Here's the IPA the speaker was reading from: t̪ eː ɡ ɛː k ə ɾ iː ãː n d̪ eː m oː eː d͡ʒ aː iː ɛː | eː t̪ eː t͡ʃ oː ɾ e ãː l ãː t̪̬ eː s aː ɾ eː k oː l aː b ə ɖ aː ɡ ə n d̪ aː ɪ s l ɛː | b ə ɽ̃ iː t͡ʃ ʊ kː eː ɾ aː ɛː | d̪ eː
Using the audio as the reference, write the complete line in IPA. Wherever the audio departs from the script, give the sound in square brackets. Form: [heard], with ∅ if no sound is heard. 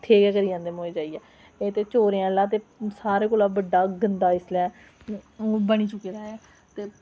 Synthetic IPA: [t̪ʰ] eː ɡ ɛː k ə ɾ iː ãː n d̪ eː m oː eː d͡ʒ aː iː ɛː | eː t̪ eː t͡ʃ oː ɾ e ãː l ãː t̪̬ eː s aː ɾ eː k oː l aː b ə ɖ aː ɡ ə n d̪ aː ɪ s l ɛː | b ə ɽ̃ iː t͡ʃ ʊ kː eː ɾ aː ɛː | [t̪] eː

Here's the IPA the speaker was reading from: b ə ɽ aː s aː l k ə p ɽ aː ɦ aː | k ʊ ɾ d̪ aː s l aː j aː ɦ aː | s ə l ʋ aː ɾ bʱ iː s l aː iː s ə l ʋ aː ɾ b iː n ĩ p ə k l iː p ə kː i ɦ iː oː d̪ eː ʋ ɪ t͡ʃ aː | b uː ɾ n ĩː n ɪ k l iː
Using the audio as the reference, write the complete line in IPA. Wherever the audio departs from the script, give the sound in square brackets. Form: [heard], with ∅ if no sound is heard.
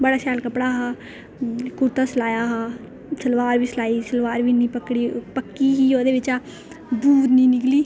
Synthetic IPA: b ə ɽ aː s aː l k ə p ɽ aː ɦ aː | k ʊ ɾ [t̪] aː s l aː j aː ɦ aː | s ə l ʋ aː ɾ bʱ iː s l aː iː s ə l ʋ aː ɾ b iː n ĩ p ə k [ɽ] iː p ə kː i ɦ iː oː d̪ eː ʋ ɪ t͡ʃ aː | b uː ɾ n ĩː n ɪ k l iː

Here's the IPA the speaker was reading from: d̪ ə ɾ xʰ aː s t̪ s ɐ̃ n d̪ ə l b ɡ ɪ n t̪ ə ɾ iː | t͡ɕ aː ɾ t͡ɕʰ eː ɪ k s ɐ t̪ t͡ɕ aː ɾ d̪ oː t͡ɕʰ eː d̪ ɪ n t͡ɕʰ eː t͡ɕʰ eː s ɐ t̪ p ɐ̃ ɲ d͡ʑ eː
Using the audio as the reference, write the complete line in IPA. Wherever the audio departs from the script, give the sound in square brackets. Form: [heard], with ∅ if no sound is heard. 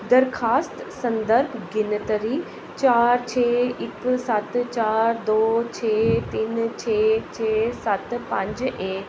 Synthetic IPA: d̪ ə ɾ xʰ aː s t̪ s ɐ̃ n d̪ ə [ɾ] b ɡ ɪ n t̪ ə ɾ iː | t͡ɕ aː ɾ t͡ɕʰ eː ɪ k s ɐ t̪ t͡ɕ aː ɾ d̪ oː t͡ɕʰ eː [t̪] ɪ n t͡ɕʰ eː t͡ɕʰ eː s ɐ t̪ p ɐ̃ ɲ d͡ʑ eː

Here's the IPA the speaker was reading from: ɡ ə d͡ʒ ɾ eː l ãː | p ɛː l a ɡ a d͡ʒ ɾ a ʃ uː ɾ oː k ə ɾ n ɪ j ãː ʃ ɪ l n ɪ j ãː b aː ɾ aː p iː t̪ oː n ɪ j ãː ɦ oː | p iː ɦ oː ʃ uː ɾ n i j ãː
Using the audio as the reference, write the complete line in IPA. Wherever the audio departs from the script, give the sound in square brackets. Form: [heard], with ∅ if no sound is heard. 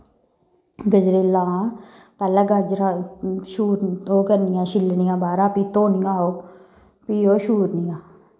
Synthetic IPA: ɡ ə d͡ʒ ɾ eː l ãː | p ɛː l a ɡ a d͡ʒ ɾ a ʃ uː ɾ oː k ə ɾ n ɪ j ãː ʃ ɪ l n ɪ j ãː b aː ɾ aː p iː t̪ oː n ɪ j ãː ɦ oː | p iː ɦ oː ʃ uː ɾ n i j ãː

